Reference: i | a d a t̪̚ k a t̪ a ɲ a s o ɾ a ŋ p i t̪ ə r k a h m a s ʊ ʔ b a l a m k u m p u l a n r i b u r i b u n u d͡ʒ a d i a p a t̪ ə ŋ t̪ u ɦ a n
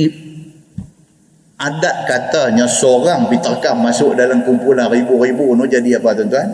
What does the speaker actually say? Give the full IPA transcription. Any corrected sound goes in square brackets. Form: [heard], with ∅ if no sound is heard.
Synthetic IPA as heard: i | a d a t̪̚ k a t̪ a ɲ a s o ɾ a ŋ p i t̪ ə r k a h m a s ʊ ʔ [d] a l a m k u m p u l a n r i b u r i b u n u d͡ʒ a d i a p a t̪ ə [n] t̪ u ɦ a n